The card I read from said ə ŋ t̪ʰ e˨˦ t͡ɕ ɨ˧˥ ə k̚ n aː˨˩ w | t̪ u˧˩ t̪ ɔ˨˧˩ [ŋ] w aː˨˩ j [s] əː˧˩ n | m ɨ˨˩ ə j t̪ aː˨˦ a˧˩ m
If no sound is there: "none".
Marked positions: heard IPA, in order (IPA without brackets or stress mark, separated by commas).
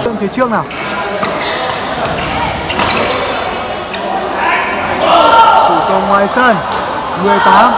ŋ, s